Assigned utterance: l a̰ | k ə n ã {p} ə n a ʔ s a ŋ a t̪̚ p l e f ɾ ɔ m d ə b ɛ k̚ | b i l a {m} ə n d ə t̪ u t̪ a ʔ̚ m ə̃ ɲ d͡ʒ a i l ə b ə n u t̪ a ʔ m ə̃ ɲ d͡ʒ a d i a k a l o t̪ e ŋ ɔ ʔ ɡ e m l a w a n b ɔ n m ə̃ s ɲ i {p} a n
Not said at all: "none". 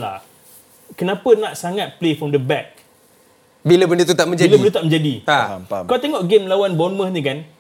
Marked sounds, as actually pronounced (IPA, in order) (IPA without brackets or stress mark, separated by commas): p, b, k